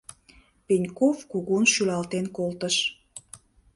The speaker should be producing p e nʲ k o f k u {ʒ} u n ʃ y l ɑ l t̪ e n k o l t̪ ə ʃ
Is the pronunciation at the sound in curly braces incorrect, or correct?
incorrect